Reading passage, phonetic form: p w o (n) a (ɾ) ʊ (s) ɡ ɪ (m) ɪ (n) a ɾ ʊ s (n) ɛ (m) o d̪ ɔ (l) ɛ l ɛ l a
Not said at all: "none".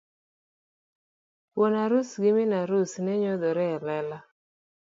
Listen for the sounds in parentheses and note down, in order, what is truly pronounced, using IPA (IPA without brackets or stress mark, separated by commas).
n, ɾ, s, m, n, n, ɲ, ɾ